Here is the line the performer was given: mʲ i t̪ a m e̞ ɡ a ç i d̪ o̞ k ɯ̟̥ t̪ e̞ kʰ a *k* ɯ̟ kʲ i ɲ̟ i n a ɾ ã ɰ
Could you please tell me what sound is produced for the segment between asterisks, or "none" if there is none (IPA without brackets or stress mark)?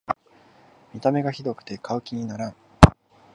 none